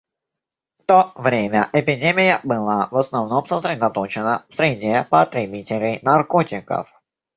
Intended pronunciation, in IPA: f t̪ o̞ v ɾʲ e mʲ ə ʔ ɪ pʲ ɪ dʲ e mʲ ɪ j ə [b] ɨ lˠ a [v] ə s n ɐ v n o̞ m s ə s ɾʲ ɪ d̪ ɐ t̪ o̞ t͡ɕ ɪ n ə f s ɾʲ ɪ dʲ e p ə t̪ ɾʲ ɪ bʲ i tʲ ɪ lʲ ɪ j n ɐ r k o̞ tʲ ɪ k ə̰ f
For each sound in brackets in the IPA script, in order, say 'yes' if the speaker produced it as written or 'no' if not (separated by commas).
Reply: yes, yes